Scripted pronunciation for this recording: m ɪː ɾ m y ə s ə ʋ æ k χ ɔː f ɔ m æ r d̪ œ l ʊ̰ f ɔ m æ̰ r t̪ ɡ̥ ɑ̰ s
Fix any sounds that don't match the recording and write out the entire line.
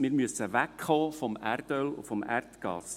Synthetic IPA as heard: m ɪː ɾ m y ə s ə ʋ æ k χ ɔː f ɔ m æ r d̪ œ l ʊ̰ f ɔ m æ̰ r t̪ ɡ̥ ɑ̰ s